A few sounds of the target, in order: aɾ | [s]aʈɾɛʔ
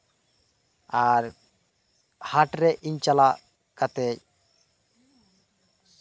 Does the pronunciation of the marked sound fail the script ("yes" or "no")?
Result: yes